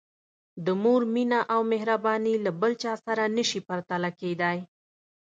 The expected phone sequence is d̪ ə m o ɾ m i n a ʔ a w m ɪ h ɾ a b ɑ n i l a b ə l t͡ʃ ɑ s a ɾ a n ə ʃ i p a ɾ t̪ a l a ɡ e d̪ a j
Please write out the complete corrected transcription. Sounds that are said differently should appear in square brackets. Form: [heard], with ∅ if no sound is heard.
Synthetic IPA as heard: d̪ ə m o ɾ m i n a ʔ a w m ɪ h ɾ a b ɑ n i l a b ə l t͡ʃ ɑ s a ɾ a n ə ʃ i p a ɾ t̪ a l a [k] e d̪ a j